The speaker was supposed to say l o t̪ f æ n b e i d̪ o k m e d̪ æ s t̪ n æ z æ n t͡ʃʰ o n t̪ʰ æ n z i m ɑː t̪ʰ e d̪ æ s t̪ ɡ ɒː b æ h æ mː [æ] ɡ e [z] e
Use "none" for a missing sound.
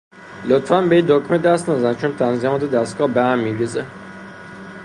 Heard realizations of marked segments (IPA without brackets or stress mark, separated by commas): i, z